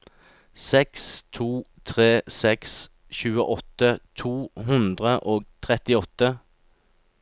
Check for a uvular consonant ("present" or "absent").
present